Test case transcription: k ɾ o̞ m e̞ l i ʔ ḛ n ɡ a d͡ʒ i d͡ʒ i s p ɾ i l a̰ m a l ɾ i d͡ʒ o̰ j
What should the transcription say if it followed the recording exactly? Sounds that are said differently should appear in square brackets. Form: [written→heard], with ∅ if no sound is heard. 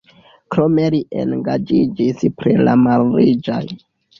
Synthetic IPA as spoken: k ɾ o̞ m e̞ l i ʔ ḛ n ɡ a d͡ʒ i d͡ʒ i s p ɾ i l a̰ m a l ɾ i d͡ʒ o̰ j